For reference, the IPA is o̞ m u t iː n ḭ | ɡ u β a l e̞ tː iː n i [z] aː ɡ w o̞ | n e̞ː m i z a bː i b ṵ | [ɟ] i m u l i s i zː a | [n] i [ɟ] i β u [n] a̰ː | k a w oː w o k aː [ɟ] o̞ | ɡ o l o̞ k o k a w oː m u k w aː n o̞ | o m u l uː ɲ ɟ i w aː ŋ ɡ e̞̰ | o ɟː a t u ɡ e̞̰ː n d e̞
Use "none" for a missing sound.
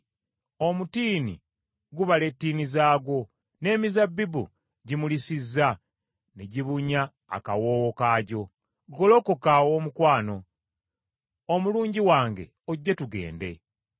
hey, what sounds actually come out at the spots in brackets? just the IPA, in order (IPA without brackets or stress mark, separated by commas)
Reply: z, ɟ, n, ɟ, ɲ, ɟ